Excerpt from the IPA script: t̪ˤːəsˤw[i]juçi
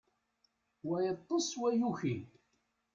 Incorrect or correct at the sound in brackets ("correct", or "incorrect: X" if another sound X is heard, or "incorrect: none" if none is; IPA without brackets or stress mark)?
incorrect: æ